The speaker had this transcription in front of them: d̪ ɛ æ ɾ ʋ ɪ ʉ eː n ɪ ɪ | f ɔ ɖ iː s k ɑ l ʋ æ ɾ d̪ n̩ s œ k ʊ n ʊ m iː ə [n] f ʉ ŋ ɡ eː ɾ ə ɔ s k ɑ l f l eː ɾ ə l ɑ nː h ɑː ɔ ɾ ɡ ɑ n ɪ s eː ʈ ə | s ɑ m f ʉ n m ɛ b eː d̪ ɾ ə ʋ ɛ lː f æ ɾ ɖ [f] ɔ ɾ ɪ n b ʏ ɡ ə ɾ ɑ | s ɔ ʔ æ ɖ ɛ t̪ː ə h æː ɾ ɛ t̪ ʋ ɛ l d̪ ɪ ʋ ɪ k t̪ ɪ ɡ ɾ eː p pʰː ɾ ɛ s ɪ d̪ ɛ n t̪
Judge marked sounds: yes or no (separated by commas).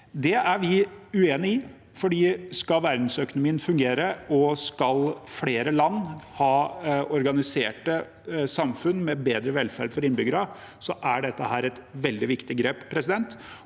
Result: yes, yes